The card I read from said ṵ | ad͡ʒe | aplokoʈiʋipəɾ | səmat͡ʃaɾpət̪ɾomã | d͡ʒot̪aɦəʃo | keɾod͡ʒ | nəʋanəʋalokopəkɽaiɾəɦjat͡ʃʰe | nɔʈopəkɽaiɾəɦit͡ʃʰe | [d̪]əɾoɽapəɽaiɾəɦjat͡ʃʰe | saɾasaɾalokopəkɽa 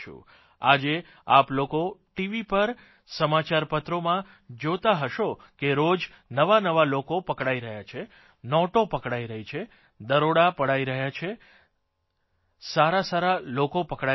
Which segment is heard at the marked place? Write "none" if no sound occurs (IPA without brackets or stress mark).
d̪